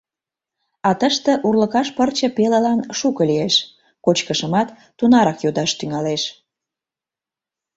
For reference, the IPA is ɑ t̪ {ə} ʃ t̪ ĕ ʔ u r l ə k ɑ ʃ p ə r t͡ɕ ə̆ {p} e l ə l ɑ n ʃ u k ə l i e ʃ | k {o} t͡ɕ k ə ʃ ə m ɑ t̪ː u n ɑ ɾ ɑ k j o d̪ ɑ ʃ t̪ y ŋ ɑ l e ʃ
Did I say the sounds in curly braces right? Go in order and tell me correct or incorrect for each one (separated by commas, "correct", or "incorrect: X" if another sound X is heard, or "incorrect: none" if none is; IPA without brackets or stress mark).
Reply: correct, correct, correct